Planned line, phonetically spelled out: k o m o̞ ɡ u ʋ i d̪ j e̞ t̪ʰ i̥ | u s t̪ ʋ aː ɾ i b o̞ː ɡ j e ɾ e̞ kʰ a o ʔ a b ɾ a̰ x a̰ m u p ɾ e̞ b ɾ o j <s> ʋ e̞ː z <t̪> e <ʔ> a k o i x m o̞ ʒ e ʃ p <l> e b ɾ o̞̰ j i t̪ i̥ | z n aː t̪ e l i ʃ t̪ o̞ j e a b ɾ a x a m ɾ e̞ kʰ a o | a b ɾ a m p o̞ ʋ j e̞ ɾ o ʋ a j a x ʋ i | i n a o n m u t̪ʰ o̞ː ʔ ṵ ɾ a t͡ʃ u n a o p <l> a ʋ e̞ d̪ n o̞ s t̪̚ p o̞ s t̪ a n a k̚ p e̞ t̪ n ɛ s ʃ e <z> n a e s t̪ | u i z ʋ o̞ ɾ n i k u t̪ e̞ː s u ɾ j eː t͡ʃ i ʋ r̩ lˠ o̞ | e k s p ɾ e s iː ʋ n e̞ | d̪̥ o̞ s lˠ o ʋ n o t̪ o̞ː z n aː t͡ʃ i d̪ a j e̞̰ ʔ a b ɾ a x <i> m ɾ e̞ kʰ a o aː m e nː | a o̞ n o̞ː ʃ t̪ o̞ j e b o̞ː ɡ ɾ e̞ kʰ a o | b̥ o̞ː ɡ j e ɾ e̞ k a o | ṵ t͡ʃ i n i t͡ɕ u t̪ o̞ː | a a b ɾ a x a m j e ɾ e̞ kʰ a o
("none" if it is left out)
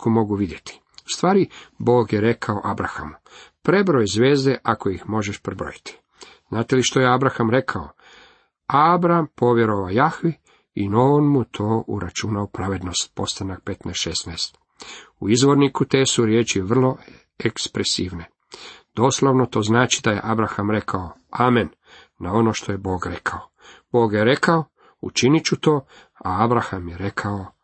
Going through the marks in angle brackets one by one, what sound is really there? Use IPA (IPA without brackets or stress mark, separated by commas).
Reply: z, d̪, ʔ, ɾ, ɾ, s, a